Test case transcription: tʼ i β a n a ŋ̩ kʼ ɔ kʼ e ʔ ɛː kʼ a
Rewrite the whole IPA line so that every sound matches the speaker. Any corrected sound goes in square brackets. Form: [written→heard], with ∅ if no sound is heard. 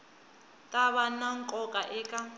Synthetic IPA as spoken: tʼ [i→a] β a n a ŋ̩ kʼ ɔ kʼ [e→a] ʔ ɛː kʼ a